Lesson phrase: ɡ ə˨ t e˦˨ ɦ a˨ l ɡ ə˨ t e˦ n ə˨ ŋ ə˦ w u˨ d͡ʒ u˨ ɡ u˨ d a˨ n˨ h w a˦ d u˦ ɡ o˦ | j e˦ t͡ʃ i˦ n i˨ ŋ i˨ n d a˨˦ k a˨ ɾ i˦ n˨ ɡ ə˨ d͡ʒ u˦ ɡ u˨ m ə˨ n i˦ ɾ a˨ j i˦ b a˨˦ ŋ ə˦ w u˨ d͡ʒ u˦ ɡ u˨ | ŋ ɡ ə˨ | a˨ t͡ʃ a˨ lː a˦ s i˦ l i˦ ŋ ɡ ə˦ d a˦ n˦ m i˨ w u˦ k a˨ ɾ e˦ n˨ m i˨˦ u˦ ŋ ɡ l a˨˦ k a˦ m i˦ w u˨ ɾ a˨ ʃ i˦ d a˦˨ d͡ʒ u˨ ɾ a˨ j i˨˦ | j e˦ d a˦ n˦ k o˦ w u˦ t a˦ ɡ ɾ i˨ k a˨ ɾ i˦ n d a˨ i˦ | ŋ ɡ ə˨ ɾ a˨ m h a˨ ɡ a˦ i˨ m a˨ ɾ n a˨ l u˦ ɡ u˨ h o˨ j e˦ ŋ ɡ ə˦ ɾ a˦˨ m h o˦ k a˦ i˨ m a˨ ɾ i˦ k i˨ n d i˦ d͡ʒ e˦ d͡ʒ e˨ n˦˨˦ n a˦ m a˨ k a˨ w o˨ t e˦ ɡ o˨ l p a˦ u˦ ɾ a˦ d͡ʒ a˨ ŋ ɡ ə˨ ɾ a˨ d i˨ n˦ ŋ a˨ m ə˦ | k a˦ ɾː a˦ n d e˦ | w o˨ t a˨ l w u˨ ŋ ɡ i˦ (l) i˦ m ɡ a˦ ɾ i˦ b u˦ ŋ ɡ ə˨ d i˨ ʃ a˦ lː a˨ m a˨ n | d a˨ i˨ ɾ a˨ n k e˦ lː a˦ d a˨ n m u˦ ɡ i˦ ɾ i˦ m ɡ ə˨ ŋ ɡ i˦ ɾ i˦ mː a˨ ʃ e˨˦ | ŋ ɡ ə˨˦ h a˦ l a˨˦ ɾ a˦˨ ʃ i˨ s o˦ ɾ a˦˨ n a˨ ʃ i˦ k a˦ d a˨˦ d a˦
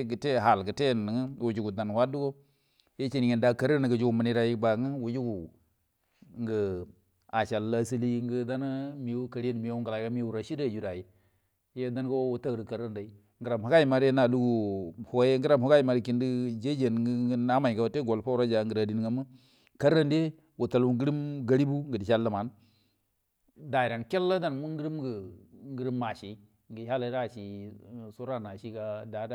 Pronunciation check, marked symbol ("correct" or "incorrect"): incorrect